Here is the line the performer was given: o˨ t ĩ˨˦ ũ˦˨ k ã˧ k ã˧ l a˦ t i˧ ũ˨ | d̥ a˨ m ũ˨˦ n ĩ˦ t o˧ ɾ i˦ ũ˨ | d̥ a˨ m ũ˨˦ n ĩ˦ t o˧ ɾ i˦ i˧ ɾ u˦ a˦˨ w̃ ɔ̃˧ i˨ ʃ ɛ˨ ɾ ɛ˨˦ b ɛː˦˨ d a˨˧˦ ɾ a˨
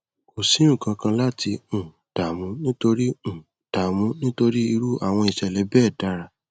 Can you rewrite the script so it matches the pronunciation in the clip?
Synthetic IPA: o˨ s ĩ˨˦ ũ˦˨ k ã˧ k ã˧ l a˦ t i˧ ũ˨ | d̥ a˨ m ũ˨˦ n ĩ˦ t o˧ ɾ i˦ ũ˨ | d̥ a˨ m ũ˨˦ n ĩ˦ t o˧ ɾ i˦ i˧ ɾ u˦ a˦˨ w̃ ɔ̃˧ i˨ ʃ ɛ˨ l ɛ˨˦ b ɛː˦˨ d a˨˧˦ ɾ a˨